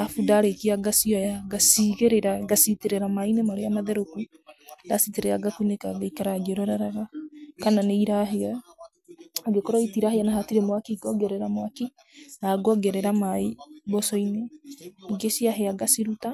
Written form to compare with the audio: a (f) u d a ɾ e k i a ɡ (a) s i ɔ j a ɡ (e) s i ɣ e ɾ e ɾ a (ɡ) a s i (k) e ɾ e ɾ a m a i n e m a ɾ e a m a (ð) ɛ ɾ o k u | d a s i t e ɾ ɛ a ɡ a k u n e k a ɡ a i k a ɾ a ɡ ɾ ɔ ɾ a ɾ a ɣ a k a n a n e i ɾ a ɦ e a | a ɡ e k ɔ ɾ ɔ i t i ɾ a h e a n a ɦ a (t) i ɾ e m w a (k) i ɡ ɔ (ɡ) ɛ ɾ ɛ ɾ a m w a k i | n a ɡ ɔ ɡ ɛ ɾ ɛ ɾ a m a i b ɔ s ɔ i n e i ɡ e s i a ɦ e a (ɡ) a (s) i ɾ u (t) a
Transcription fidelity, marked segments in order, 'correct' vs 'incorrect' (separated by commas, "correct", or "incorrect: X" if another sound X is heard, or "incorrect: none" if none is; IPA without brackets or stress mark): correct, correct, incorrect: a, correct, incorrect: t, correct, correct, correct, correct, correct, correct, correct